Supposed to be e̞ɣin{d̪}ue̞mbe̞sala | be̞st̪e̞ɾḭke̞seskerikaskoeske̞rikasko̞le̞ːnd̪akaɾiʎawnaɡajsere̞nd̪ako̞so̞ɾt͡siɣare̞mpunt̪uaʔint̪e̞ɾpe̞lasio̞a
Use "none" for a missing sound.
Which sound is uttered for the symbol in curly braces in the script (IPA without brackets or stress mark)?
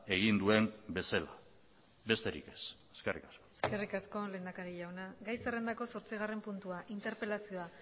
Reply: d̪